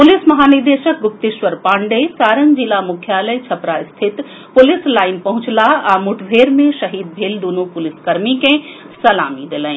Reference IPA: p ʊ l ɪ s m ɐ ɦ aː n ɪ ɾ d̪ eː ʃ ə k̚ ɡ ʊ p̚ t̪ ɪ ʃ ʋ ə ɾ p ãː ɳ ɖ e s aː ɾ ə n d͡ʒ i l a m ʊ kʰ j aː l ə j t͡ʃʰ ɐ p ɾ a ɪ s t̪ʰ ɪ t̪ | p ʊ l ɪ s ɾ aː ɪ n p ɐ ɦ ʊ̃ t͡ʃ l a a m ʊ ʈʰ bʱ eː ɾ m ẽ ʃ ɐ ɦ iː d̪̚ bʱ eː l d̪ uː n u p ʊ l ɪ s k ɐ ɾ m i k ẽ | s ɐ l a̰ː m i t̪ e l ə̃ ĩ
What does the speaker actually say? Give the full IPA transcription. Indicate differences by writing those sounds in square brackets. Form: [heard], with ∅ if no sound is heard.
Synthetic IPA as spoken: p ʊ l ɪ s m ɐ ɦ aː n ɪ ɾ d̪ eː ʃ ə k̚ ɡ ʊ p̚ t̪ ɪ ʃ ʋ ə ɾ p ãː ɳ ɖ e s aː ɾ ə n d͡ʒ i l a m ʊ kʰ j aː l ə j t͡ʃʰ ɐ p ɾ a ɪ s t̪ʰ ɪ t̪ | p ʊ l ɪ s [l] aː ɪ n p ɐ ɦ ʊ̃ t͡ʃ l a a m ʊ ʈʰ bʱ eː ɾ m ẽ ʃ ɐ ɦ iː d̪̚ bʱ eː l d̪ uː n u p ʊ l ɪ s k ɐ ɾ m i k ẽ | s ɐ l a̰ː m i [d̪] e l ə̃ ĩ